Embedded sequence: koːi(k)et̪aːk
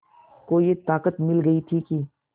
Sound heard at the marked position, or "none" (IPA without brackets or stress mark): none